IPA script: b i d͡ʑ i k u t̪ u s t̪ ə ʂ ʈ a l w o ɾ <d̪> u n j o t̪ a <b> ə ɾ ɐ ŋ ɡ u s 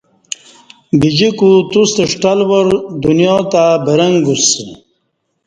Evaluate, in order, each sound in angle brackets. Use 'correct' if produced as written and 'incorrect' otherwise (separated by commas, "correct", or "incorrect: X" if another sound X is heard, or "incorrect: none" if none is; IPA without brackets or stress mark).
correct, correct